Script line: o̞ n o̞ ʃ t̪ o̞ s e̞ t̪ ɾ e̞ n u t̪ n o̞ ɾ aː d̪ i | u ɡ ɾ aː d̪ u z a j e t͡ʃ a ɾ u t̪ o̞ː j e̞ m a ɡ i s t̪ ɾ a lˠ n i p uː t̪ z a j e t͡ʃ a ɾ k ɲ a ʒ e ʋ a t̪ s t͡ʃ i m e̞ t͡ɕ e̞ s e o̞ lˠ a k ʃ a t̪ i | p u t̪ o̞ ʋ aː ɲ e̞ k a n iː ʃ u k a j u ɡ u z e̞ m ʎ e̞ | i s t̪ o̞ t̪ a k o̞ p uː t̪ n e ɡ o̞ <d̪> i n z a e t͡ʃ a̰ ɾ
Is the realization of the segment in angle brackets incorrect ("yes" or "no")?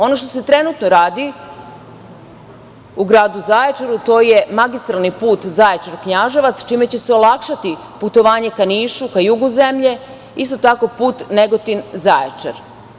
yes